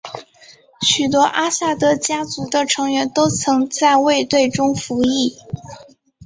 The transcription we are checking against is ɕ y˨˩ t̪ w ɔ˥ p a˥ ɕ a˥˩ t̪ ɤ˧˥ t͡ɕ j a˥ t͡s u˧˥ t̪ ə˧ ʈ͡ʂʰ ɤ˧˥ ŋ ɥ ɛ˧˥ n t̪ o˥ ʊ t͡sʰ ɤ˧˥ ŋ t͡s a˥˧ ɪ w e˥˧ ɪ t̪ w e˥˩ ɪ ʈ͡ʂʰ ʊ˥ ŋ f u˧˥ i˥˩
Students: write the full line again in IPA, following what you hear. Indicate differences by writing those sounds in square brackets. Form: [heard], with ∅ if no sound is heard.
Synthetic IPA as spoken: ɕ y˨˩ t̪ w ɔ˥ [ʔ] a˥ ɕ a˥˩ t̪ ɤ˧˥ t͡ɕ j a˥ t͡s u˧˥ [d̪] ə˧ ʈ͡ʂʰ ɤ˧˥ ŋ ɥ ɛ˧˥ n t̪ o˥ ʊ t͡sʰ ɤ˧˥ ŋ t͡s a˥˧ ɪ w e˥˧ ɪ t̪ w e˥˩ ɪ [ʈ͡ʂ] ʊ˥ ŋ f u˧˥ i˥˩